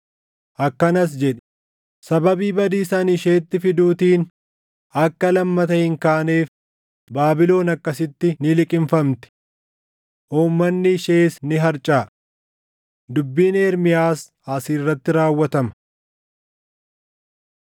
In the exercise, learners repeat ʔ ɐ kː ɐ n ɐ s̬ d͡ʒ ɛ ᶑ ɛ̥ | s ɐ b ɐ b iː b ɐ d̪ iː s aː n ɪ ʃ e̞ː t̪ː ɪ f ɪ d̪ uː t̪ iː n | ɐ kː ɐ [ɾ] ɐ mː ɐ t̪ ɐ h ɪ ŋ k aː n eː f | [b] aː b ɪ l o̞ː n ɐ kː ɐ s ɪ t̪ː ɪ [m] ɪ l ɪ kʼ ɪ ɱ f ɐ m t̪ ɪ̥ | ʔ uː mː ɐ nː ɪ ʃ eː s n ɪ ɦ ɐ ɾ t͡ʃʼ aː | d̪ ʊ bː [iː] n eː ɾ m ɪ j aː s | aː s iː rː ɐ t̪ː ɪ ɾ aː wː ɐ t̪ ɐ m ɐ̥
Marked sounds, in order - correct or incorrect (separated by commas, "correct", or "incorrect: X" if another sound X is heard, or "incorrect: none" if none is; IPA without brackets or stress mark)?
incorrect: l, correct, incorrect: n, correct